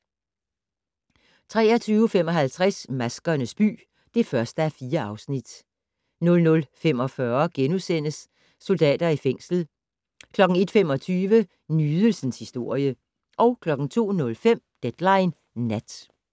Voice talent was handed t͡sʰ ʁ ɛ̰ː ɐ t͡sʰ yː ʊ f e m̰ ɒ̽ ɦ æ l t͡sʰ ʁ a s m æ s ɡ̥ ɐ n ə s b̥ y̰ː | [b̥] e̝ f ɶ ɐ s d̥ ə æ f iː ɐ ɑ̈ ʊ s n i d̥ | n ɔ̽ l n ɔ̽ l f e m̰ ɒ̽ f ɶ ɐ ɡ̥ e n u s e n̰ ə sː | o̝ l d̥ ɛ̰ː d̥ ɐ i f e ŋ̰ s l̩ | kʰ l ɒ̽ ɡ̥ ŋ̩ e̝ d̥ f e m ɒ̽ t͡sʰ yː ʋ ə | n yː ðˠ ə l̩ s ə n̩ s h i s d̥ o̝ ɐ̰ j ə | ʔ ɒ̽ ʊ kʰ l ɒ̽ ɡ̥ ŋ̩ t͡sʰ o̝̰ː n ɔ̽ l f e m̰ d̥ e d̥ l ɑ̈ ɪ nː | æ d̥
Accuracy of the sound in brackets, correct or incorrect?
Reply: incorrect